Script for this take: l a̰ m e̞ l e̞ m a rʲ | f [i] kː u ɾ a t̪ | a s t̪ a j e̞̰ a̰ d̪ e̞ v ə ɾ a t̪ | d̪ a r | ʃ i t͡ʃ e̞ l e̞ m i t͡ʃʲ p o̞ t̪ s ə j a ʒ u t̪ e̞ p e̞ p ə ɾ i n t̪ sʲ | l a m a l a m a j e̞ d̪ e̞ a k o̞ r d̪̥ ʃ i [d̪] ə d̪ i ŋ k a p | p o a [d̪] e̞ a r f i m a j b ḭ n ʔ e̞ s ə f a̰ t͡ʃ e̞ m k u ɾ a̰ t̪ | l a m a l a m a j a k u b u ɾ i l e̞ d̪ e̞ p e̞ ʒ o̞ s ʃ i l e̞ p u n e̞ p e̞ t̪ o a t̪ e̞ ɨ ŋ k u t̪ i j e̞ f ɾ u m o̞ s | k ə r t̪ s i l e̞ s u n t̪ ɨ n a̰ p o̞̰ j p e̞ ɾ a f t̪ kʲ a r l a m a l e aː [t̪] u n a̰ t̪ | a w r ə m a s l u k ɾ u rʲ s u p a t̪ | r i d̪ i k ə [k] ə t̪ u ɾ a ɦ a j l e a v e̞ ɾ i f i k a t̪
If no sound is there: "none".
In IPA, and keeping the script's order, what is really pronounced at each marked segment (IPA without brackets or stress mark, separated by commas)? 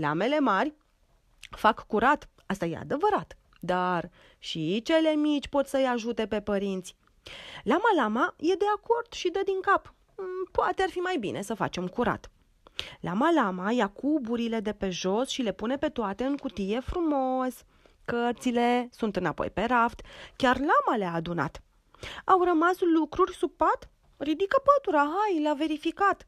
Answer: a, d̪, t̪, d̪, p